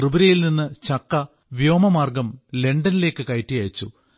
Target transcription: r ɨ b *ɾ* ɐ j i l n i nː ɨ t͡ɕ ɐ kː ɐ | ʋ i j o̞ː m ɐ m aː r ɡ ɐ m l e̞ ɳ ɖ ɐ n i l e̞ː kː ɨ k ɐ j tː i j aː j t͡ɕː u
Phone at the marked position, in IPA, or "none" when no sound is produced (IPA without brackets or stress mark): ɾ